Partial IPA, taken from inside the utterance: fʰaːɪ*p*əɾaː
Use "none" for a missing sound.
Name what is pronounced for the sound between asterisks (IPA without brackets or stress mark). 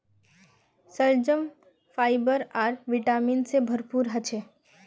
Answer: b